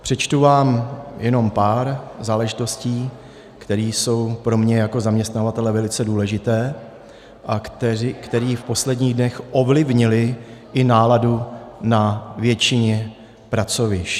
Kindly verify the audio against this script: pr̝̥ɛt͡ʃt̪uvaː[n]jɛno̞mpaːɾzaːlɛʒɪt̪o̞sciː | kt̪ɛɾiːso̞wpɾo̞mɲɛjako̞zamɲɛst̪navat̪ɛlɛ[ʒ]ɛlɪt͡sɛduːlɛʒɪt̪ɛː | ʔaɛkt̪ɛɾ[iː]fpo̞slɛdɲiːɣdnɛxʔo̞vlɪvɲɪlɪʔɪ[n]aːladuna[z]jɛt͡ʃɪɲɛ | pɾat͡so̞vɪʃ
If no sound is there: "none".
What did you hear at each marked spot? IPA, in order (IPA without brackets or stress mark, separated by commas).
m, v, iː, n, v